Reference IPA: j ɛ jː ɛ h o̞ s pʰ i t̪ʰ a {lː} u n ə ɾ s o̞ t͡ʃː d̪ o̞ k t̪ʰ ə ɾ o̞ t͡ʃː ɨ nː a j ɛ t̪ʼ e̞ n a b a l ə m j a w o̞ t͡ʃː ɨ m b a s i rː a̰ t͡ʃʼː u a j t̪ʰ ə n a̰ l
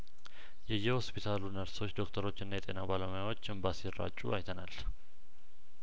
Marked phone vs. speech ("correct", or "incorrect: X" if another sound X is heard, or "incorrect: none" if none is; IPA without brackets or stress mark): incorrect: l